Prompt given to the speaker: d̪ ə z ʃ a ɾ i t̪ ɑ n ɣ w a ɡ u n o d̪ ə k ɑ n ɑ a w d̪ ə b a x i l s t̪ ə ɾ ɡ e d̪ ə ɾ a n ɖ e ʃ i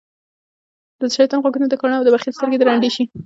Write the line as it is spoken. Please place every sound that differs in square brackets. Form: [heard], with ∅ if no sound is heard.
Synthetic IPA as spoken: d̪ ə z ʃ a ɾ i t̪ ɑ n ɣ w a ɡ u n o d̪ ə k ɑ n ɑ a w d̪ ə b a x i l s t̪ ə ɾ ɡ e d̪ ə ɾ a [ɳ] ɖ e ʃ i